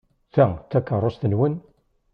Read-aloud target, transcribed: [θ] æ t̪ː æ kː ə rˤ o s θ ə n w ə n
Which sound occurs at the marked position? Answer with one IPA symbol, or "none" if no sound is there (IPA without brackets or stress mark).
θ